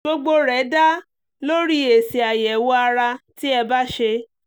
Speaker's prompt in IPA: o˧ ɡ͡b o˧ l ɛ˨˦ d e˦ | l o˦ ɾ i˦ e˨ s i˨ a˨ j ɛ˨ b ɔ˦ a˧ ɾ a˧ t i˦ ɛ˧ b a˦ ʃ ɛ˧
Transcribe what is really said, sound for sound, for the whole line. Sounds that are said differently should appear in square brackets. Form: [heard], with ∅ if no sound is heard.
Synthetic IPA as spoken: o˧ ɡ͡b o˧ [ɾ] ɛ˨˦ d [a˦] | l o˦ ɾ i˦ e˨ s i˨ a˨ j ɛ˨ [w] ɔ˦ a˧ ɾ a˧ t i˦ ɛ˧ b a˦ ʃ [e˧]